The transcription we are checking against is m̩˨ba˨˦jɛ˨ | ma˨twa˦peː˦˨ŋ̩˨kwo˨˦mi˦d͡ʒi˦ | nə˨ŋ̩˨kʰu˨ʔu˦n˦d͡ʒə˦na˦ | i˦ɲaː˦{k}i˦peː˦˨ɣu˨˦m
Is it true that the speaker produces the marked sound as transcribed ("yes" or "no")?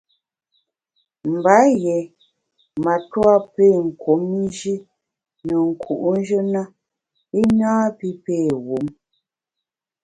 no